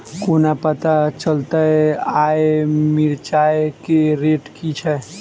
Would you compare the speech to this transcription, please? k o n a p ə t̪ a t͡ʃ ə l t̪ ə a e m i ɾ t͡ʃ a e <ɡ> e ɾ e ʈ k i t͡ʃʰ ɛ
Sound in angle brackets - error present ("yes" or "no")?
yes